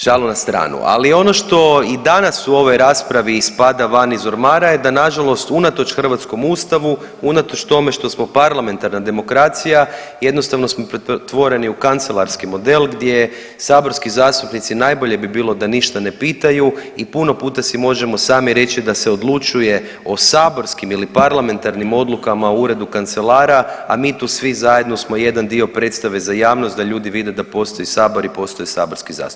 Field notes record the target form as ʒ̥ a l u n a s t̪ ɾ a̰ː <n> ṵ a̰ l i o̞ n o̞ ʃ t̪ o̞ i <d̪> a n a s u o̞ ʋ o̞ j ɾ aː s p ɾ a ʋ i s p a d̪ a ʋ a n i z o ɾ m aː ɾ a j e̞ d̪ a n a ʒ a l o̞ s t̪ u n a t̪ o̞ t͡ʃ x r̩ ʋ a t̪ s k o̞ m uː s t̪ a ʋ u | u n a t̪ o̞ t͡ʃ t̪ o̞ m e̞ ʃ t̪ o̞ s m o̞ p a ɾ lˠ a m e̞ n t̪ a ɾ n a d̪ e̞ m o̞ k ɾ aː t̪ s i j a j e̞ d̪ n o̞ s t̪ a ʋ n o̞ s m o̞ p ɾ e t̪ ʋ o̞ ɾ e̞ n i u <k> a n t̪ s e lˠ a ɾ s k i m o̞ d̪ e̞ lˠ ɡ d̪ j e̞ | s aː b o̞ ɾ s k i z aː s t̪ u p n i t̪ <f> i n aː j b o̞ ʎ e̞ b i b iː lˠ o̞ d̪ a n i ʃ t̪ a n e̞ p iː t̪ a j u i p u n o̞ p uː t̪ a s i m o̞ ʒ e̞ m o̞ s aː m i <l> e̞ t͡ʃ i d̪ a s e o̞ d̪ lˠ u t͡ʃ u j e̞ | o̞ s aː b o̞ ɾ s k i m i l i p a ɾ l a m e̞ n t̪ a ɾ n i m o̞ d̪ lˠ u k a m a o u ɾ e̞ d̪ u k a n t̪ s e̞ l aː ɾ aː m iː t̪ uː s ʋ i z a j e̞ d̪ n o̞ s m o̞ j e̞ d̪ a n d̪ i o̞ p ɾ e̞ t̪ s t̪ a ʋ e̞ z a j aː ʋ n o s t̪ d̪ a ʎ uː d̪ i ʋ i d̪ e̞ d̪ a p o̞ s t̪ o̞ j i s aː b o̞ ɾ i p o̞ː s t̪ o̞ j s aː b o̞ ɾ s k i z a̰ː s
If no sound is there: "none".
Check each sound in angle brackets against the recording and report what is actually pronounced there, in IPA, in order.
n, d̪, k, s, ɾ

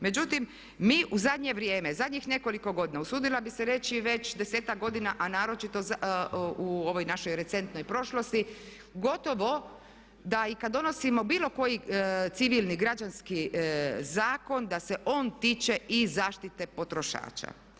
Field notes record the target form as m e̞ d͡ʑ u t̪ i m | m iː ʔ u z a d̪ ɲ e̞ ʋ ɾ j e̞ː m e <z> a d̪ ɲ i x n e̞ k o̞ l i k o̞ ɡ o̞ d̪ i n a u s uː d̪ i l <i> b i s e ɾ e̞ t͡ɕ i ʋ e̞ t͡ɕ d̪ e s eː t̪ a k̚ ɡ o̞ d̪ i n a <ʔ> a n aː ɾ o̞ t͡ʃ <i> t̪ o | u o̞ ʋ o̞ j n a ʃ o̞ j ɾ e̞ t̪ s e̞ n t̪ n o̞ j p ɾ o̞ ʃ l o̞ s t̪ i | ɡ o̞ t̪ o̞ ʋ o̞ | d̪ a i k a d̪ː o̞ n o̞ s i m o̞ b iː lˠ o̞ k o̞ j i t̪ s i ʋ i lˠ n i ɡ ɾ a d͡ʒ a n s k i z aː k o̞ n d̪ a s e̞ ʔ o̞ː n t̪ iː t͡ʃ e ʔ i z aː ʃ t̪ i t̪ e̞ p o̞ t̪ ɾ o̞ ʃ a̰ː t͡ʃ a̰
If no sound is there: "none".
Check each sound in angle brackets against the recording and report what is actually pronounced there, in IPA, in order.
z, a, ʔ, i

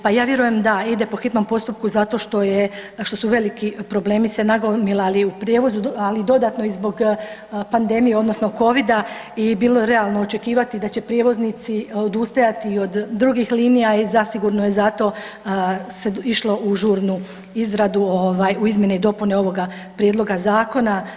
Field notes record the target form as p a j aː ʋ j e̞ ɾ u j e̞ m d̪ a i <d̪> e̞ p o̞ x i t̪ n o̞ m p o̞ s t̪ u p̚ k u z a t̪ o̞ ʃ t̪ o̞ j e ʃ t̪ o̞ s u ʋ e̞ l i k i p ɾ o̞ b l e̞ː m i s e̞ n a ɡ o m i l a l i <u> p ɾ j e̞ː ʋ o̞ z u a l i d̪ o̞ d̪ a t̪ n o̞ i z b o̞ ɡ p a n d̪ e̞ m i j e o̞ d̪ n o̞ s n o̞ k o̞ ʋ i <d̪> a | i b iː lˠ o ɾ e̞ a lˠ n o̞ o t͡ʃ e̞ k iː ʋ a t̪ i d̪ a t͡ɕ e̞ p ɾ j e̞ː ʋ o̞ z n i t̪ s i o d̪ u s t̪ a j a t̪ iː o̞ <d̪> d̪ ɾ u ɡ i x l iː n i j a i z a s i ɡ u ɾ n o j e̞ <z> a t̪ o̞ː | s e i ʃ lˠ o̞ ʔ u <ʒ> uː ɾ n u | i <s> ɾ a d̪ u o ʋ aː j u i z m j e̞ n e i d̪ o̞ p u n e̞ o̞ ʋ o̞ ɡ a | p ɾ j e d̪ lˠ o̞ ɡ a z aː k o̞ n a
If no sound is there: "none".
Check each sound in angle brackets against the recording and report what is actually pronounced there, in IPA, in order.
d̪, u, d̪, d̪, z, ʒ, z

